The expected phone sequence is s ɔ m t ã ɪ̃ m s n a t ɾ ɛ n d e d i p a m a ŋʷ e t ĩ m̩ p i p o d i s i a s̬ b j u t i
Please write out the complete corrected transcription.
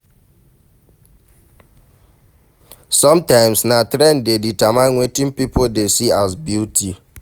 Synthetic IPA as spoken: s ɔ m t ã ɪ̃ m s n a t ɾ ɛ n d e d i t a m a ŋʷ e t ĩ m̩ p i p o d e s i a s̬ b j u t i